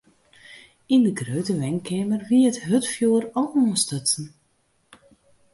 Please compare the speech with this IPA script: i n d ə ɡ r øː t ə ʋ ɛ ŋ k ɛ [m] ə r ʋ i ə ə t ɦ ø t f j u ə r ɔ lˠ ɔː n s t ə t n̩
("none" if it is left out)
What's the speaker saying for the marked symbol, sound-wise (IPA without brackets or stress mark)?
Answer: m